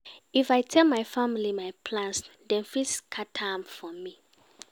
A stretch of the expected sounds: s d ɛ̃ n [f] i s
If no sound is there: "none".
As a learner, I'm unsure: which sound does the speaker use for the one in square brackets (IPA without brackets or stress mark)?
f